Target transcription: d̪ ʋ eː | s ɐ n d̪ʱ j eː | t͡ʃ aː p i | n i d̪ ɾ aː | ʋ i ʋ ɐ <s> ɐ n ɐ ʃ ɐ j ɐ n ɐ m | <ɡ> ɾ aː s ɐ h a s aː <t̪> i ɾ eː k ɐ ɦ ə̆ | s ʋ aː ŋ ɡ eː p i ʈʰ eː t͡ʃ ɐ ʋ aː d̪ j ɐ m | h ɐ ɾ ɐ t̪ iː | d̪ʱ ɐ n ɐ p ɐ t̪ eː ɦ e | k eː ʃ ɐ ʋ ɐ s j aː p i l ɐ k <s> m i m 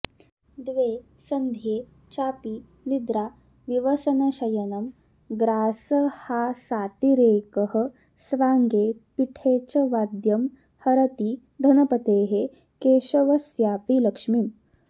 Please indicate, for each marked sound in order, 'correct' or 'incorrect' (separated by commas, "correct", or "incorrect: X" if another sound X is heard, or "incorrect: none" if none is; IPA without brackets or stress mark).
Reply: correct, correct, correct, incorrect: ʂ